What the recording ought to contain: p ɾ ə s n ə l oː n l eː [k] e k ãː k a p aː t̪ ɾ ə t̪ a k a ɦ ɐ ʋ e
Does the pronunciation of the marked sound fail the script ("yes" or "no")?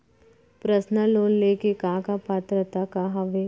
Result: no